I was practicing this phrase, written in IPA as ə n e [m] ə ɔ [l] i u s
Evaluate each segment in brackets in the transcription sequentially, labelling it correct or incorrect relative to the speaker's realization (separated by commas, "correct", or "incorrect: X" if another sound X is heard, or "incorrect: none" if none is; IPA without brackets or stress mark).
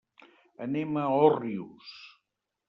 correct, incorrect: r